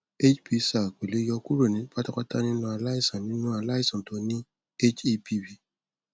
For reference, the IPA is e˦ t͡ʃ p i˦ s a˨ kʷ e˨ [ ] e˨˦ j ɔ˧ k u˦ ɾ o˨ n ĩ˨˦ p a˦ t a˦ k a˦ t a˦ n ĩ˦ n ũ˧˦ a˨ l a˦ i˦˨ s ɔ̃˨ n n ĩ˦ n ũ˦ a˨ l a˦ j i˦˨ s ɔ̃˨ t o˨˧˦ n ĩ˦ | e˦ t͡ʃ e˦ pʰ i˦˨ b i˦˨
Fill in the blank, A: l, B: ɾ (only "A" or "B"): A